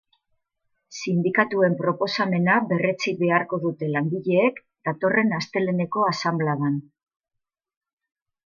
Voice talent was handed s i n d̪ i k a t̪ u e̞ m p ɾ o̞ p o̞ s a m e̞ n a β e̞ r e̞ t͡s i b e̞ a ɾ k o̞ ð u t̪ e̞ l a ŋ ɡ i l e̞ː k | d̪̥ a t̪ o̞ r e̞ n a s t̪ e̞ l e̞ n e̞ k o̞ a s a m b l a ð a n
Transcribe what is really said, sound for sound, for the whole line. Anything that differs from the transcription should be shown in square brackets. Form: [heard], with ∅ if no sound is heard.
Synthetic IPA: s i n d̪ i k a t̪ u e̞ m p ɾ o̞ p o̞ s a m e̞ n a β e̞ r e̞ t͡s i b e̞ a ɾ k o̞ ð u t̪ e̞ l a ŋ ɡ i [ʎ] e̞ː k | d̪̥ a t̪ o̞ r e̞ n a s t̪ e̞ l e̞ n e̞ k o̞ a s a m b l a ð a n